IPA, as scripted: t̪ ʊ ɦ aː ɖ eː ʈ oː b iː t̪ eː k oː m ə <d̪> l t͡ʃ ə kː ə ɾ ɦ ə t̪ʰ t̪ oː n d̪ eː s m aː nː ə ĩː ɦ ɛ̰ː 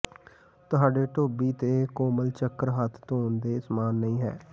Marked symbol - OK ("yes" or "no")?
no